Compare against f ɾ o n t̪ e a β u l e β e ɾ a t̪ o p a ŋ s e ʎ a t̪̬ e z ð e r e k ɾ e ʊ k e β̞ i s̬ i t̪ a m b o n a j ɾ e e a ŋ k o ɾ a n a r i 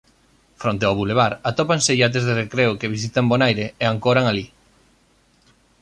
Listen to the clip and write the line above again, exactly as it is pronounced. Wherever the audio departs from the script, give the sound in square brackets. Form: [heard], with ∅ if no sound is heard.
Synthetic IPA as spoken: f ɾ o n t̪ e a β u l e β [a] ɾ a t̪ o p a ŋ s e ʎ a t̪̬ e z ð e r e k ɾ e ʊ k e β̞ i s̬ i t̪ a m b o n a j ɾ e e a ŋ k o ɾ a [ŋ] a [l] i